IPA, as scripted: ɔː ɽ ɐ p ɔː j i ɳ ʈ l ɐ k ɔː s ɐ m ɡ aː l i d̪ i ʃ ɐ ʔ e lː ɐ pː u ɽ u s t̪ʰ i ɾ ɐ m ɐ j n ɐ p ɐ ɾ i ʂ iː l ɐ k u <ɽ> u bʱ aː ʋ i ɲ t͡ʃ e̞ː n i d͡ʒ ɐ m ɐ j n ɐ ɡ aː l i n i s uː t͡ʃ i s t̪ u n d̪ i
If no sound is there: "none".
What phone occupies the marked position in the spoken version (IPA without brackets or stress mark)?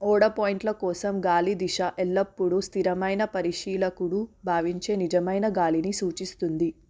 ɽ